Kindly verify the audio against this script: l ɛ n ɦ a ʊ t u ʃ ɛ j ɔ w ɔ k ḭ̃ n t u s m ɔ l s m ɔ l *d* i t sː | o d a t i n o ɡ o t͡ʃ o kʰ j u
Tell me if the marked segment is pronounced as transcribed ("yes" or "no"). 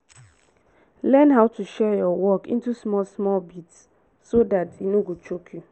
no